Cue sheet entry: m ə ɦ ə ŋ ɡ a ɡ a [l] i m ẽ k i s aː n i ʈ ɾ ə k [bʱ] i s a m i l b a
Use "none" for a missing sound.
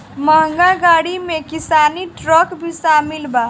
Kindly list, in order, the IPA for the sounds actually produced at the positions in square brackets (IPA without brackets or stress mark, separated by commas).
ɽ, bʱ